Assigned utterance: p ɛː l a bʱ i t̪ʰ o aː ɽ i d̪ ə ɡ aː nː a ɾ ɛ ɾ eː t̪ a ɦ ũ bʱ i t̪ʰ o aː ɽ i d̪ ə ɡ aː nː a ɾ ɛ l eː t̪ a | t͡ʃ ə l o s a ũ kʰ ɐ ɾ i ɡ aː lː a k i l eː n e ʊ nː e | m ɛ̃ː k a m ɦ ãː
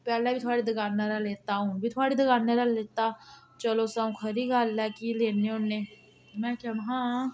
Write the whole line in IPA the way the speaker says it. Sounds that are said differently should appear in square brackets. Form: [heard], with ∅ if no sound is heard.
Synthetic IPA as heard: p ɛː l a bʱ i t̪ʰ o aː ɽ i d̪ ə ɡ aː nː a ɾ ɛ [l] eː t̪ a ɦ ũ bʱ i t̪ʰ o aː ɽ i d̪ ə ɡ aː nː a ɾ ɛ l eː t̪ a | t͡ʃ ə l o s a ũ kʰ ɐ ɾ i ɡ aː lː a k i l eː n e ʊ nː e | m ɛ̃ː k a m ɦ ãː